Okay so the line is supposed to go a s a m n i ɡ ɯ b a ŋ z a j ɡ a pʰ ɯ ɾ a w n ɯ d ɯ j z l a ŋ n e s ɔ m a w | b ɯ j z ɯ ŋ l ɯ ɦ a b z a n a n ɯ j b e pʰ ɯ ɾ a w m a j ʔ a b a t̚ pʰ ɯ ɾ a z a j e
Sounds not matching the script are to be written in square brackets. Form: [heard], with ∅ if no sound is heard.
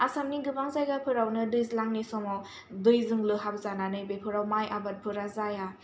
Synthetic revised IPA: a s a m n i ɡ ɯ b a ŋ z a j ɡ a pʰ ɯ ɾ a w n ɯ d ɯ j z l a ŋ n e s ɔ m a w | [d] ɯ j z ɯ ŋ l ɯ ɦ a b z a n a n ɯ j b e pʰ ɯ ɾ a w m a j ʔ a b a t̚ pʰ ɯ ɾ a z a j [a]

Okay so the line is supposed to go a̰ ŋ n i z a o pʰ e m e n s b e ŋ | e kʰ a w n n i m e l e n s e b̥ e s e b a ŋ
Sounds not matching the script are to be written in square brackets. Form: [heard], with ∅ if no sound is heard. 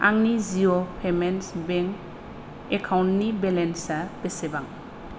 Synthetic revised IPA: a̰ ŋ n i z [i] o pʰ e m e n s b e ŋ | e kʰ a w n n i [b] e l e n s [a] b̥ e s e b a ŋ

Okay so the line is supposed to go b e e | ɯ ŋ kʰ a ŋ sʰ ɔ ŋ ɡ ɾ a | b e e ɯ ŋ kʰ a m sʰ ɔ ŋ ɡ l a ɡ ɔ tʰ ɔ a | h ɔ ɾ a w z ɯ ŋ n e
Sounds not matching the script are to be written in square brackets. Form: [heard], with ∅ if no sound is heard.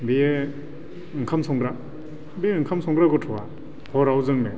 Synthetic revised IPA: b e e | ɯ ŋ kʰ a [m] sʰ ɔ ŋ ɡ ɾ a | b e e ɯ ŋ kʰ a m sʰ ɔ ŋ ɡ [ɾ] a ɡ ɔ tʰ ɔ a | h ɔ ɾ a w z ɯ ŋ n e

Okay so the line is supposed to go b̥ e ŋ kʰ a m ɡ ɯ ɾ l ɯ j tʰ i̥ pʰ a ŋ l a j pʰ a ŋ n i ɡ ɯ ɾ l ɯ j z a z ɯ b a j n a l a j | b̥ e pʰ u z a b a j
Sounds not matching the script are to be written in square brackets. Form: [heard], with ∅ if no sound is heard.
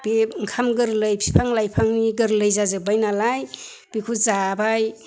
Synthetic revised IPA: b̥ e ŋ kʰ a m ɡ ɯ ɾ l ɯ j [pʰ] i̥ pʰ a ŋ l a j pʰ a ŋ n i ɡ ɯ ɾ l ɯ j z a z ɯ b a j n a l a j | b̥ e [kʰ] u z a b a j

